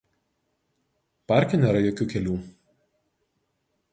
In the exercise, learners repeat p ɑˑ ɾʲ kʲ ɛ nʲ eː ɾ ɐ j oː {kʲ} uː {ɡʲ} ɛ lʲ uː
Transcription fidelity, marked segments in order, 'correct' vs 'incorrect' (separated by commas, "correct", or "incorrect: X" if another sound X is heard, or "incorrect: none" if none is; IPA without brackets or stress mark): correct, incorrect: kʲ